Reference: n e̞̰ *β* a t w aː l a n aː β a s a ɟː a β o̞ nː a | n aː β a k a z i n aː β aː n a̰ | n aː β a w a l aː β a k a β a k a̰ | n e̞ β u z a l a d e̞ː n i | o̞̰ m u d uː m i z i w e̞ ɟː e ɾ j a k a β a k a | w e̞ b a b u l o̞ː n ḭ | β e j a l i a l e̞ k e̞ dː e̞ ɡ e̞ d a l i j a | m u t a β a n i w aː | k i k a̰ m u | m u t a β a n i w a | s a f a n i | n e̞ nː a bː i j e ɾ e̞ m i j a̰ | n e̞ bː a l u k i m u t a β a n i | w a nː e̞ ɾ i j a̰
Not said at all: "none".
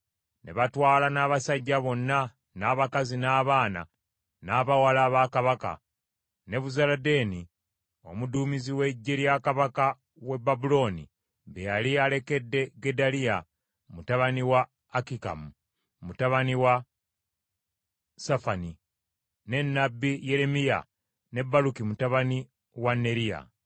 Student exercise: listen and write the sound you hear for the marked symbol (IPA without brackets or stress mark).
β